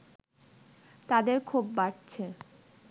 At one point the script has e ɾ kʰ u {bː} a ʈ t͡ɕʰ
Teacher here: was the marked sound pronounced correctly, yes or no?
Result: yes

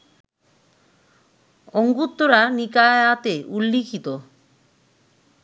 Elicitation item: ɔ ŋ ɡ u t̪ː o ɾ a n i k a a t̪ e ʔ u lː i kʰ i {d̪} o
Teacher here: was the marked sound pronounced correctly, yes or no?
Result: no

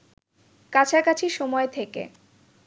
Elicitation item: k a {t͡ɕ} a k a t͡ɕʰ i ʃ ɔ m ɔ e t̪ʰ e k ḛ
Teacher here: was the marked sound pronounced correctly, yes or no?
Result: no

